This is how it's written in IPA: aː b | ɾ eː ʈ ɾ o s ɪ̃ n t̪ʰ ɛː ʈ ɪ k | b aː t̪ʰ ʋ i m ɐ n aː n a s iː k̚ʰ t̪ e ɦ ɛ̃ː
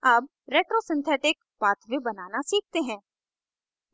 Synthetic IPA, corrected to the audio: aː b | ɾ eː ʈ ɾ o s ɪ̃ n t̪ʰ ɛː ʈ ɪ k | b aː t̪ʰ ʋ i b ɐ n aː n a s iː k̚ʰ t̪ e ɦ ɛ̃ː